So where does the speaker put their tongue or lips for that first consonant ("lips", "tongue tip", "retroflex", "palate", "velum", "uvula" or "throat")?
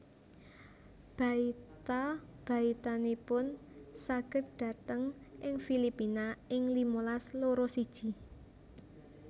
lips